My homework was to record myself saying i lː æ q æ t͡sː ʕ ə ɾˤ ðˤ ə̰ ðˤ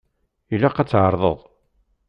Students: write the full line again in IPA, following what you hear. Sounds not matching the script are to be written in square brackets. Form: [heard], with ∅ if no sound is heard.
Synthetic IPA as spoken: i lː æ q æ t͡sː ʕ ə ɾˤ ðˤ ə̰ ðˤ